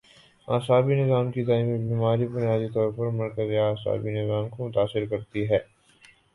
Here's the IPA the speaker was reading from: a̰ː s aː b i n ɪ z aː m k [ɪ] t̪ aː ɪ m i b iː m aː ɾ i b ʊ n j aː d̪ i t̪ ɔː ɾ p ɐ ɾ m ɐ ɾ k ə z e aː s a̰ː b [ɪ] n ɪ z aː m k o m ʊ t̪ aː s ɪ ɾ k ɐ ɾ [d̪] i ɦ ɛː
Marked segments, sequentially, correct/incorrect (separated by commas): incorrect, incorrect, incorrect